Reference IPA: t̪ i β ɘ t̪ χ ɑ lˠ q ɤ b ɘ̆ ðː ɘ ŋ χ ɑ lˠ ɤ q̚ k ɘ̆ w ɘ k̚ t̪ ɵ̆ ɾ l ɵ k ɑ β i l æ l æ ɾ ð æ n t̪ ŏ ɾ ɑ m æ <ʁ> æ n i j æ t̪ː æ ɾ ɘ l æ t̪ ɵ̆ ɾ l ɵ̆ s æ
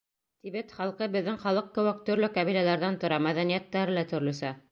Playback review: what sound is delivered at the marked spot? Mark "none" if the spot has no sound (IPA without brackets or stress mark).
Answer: ð